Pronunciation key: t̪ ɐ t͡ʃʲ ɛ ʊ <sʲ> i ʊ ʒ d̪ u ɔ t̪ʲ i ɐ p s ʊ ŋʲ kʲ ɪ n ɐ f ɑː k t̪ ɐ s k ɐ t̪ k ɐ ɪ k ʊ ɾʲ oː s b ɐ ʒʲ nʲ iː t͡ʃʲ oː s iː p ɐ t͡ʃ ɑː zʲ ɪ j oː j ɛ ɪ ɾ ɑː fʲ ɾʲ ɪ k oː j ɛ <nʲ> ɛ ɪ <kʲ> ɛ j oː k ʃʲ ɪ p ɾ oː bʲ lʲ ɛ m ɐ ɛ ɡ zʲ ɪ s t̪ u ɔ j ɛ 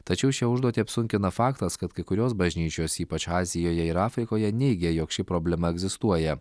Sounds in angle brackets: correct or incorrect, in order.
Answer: incorrect, correct, incorrect

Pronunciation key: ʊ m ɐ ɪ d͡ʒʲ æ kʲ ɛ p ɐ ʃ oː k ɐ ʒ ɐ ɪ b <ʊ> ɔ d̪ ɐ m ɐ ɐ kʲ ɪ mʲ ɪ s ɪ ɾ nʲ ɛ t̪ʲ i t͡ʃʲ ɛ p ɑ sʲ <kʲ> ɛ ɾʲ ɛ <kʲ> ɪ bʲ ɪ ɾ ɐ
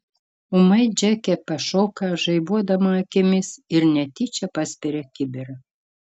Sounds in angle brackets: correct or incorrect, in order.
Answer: incorrect, incorrect, correct

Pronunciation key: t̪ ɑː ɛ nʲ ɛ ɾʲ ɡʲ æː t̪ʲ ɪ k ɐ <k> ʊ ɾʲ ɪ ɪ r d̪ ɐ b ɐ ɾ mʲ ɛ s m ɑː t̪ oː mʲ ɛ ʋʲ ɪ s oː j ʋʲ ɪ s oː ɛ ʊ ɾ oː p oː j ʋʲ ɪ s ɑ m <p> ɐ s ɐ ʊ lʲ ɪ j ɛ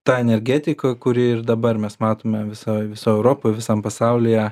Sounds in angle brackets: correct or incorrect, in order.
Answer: correct, correct

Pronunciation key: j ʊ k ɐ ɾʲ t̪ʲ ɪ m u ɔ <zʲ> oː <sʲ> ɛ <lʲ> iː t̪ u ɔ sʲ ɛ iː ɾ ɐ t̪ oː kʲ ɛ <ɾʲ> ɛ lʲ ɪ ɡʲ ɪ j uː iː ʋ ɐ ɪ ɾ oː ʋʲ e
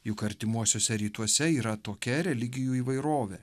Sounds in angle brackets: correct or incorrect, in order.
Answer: incorrect, correct, incorrect, correct

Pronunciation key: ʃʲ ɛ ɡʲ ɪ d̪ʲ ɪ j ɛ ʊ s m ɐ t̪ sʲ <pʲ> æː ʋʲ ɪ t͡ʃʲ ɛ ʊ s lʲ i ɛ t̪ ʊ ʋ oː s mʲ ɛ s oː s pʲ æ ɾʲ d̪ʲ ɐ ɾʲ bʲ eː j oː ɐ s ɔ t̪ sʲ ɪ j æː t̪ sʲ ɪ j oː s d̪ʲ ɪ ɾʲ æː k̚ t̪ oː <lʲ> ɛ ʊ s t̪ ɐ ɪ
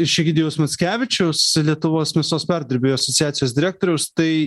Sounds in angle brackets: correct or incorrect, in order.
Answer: incorrect, incorrect

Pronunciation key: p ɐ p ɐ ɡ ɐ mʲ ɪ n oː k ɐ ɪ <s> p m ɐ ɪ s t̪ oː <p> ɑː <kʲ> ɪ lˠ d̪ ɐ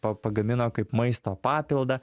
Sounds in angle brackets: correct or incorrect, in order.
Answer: incorrect, correct, incorrect

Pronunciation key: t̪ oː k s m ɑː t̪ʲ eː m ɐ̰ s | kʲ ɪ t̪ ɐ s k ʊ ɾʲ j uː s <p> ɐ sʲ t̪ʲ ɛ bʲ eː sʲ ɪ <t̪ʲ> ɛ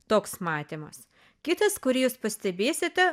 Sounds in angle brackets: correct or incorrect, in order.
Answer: correct, correct

